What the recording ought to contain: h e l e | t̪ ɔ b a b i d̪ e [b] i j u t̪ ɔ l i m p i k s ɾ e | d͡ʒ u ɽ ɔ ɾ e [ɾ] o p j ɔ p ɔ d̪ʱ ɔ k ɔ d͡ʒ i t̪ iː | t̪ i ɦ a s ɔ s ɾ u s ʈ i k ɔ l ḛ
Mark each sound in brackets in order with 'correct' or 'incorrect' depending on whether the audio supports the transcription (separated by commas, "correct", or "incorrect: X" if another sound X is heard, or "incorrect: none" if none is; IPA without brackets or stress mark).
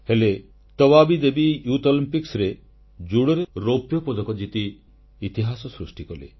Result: correct, correct